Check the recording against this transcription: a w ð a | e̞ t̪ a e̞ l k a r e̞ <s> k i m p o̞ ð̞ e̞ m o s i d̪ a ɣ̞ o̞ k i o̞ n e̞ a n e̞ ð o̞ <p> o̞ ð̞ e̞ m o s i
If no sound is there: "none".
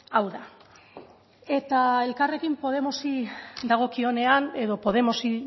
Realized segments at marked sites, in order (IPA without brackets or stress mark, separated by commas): none, p